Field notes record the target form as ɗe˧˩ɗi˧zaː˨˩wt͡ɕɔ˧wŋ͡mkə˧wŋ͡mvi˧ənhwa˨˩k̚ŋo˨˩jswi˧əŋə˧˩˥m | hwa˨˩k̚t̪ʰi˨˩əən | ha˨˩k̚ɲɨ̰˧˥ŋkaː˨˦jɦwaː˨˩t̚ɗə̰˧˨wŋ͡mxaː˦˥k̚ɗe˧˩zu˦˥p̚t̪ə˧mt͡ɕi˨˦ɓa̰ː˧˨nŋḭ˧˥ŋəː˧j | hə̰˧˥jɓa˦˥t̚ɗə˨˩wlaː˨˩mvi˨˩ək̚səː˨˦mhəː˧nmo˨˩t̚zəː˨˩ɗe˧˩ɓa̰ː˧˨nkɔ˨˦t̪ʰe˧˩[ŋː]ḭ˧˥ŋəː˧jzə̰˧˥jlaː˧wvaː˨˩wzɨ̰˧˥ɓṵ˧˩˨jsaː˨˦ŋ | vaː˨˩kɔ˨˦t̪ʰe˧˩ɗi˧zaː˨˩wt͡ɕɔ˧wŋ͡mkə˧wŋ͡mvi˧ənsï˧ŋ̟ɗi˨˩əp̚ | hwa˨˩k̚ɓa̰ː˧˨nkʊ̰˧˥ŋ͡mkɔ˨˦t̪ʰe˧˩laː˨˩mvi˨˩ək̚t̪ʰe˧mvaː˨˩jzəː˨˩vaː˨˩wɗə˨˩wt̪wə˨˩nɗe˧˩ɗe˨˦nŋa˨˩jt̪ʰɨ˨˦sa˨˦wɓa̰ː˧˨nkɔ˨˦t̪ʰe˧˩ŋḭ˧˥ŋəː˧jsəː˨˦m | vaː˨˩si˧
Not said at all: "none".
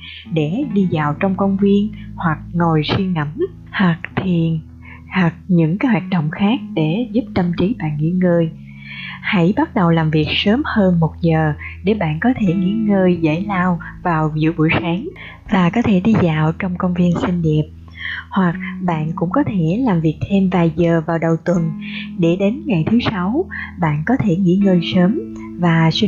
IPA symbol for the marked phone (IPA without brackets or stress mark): ŋ